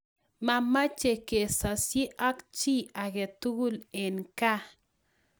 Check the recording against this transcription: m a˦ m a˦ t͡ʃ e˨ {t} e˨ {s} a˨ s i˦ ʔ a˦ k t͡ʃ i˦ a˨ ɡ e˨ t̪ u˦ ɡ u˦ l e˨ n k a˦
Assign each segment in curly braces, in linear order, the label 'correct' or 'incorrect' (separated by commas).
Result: incorrect, correct